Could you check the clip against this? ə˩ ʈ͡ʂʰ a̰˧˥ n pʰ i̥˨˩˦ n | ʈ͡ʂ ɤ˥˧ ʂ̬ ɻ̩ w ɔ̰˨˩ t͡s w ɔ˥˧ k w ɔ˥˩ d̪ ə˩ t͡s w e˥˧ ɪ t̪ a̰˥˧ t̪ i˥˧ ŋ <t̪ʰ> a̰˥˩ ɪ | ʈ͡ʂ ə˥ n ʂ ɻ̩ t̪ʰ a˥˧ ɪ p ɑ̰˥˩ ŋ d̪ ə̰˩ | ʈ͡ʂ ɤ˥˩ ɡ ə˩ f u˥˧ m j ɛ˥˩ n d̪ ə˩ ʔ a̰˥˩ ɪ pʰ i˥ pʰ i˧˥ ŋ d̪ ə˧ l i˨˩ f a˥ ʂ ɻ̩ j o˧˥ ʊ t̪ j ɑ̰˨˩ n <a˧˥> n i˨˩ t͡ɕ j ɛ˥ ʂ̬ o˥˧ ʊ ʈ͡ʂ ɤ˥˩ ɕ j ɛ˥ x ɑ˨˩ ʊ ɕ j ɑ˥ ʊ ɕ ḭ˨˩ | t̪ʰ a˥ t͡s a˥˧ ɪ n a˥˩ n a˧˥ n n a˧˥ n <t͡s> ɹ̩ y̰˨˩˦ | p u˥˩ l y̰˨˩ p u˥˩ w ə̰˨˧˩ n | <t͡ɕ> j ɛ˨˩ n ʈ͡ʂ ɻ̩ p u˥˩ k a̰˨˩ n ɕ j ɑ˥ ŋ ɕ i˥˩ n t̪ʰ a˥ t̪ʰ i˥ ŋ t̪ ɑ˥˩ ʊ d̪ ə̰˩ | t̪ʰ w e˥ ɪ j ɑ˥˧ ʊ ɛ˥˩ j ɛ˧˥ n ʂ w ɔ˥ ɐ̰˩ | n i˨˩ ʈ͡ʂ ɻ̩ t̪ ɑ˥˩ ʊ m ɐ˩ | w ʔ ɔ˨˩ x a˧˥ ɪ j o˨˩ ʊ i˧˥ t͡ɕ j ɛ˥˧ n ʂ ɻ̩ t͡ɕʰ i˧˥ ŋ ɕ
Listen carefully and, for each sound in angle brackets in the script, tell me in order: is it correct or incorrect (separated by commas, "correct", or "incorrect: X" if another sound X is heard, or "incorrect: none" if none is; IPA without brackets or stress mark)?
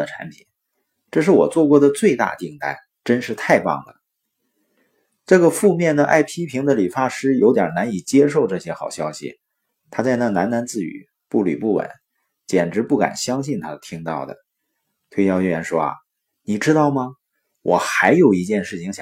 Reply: incorrect: t̪, correct, correct, correct